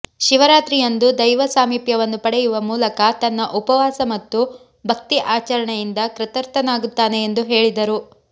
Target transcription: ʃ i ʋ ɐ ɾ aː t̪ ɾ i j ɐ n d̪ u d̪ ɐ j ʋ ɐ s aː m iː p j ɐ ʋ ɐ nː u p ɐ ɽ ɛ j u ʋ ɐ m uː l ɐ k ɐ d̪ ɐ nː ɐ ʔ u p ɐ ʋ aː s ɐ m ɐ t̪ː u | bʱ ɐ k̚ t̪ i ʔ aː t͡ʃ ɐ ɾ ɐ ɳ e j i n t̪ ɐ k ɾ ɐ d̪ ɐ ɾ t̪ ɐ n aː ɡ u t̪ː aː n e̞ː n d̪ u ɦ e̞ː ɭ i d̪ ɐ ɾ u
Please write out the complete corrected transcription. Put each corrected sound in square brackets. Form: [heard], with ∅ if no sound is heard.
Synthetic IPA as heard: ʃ i ʋ ɐ ɾ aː t̪ ɾ i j ɐ n d̪ u d̪ ɐ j ʋ ɐ s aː m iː p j ɐ ʋ ɐ nː u p ɐ ɽ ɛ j u ʋ ɐ m uː l ɐ k ɐ [t̪] ɐ nː ɐ ʔ u p ɐ ʋ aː s ɐ m ɐ t̪ː u | bʱ ɐ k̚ t̪ i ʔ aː t͡ʃ ɐ ɾ ɐ ɳ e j i n [d̪] ɐ k ɾ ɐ [t̪] ɐ ɾ t̪ ɐ n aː ɡ u t̪ː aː n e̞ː n d̪ u ɦ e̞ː ɭ i d̪ ɐ ɾ u